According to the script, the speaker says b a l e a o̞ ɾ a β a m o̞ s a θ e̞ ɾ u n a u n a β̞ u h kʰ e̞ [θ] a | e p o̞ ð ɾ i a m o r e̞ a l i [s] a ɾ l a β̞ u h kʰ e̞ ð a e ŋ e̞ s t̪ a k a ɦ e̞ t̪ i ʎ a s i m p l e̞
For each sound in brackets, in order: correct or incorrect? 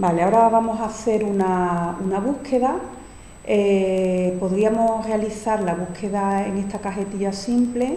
incorrect, incorrect

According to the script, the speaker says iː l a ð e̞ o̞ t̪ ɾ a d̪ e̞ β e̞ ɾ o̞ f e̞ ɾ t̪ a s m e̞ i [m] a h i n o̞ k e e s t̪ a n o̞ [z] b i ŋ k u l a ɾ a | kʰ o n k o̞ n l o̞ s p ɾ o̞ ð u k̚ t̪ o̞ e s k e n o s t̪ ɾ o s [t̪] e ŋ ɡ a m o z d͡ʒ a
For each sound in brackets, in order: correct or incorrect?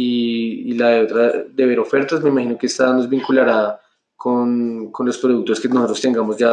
correct, correct, correct

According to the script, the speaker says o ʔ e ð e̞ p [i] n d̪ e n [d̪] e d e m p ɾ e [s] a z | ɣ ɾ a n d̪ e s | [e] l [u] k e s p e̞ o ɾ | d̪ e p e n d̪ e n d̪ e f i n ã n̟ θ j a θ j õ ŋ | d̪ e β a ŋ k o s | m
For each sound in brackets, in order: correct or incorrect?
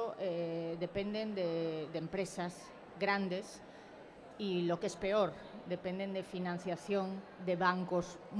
incorrect, correct, correct, incorrect, incorrect

